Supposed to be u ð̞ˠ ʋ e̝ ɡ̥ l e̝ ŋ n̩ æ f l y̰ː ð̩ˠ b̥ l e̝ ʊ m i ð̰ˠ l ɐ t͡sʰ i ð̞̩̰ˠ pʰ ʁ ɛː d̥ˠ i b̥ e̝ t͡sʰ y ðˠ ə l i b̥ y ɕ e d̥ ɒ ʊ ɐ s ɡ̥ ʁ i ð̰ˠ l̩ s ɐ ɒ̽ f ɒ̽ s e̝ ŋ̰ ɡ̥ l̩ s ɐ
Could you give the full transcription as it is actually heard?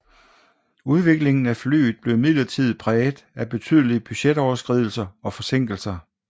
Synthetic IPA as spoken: u ð̞ˠ ʋ e̝ ɡ̥ l e̝ ŋ n̩ æ f l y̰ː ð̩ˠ b̥ l e̝ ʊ m i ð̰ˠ l ɐ t͡sʰ i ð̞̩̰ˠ pʰ ʁ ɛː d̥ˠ æ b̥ e̝ t͡sʰ y ðˠ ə l i b̥ y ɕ e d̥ ɒ ʊ ɐ s ɡ̥ ʁ i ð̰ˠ l̩ s ɐ ɒ̽ f ɒ̽ s e̝ ŋ̰ ɡ̥ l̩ s ɐ

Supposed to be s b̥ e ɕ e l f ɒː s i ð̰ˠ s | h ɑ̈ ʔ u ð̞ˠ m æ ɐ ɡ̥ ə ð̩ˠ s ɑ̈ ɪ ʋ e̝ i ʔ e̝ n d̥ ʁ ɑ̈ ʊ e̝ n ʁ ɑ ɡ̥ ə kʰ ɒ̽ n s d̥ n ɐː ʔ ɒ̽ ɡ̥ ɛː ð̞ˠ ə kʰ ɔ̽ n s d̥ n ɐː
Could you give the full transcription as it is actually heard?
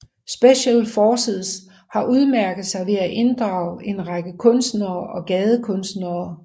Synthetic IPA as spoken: s b̥ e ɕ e l f ɒː s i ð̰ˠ s | h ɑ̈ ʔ u ð̞ˠ m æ ɐ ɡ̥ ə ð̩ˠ s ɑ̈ ɪ ʋ e̝ æ ʔ e̝ n d̥ ʁ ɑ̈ ʊ e̝ n ʁ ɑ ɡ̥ ə kʰ ɔ̽ n s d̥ n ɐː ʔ ɒ̽ ɡ̥ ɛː ð̞ˠ ə kʰ ɔ̽ n s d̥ n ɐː

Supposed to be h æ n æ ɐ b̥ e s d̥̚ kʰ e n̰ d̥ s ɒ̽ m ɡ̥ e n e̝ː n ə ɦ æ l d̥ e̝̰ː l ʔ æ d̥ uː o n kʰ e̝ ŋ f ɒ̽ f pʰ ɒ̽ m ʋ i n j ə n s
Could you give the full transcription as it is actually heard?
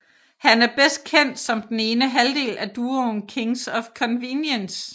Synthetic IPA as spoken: h æ n æ ɐ b̥ e s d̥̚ kʰ e n̰ d̥ s ɒ̽ m d̥ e n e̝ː n ə ɦ æ l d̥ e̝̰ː l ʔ æ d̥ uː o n kʰ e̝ ŋ s ɒ̽ f kʰ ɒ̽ n ʋ i n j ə n s

